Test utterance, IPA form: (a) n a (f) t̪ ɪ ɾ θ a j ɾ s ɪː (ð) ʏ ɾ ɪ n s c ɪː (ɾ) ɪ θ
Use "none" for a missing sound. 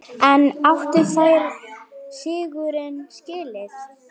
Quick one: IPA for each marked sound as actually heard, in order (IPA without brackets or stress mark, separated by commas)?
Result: ɛ, f, ɣ, l